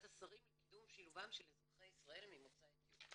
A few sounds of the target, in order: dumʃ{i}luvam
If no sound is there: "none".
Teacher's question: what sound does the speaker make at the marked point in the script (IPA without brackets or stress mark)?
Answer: i